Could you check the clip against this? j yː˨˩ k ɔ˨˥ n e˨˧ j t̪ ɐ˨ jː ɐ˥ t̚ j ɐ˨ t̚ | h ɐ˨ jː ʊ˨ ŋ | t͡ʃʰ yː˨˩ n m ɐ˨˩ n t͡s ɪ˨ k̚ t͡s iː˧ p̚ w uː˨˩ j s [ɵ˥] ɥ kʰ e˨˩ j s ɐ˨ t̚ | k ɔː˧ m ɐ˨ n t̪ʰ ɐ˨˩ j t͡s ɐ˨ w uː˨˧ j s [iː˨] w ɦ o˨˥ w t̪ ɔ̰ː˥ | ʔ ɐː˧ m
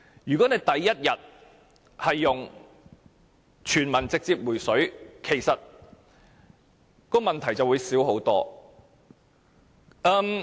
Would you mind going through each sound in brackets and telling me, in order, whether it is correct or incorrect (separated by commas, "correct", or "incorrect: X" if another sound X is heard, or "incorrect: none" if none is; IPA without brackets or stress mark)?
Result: incorrect: ɵ˨˥, incorrect: iː˨˥